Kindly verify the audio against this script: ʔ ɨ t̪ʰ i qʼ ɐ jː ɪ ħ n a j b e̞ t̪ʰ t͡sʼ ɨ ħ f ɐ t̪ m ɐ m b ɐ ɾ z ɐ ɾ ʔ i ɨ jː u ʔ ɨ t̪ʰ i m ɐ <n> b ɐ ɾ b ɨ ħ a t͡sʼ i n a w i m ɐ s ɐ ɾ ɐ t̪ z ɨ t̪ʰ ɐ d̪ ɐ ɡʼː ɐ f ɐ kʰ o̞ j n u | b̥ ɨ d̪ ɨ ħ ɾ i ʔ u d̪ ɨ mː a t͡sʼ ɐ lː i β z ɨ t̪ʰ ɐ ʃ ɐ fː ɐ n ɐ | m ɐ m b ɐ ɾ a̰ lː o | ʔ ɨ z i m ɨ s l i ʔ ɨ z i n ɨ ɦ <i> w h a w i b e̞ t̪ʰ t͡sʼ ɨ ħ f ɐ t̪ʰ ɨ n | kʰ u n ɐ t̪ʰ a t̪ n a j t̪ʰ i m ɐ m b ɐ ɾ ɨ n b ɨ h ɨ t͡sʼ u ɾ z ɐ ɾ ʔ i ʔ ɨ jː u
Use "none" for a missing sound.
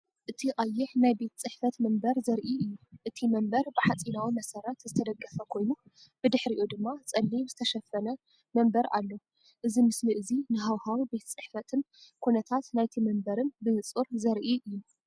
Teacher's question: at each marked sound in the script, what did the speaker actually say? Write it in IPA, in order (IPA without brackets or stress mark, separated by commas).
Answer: m, a